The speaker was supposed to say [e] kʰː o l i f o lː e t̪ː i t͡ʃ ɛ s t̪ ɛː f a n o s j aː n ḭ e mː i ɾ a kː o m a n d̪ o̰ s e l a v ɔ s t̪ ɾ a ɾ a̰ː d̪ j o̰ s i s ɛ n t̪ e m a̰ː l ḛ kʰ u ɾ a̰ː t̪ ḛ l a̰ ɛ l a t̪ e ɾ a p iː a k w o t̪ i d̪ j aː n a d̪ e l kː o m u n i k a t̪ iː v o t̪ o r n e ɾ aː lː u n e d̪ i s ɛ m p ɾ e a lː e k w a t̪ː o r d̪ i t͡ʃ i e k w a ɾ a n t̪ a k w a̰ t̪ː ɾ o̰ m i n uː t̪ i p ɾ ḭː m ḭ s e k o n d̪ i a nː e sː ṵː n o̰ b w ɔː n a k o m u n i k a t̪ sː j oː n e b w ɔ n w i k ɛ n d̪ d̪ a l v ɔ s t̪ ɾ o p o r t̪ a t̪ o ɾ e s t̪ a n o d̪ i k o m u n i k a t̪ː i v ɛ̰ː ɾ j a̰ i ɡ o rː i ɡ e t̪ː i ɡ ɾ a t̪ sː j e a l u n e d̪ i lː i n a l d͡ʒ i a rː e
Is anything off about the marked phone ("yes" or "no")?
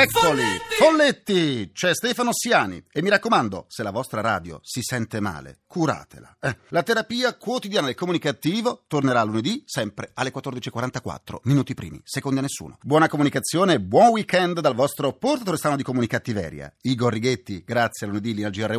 yes